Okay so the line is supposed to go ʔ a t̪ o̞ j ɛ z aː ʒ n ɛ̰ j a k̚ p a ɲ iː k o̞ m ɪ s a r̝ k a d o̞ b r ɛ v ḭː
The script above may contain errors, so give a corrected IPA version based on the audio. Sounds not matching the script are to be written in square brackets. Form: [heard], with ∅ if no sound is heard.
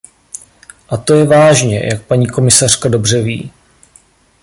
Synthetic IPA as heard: ʔ a t̪ o̞ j ɛ [v] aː ʒ [ɲ] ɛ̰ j a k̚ p a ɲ iː k o̞ m ɪ s a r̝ k a d o̞ b r ɛ v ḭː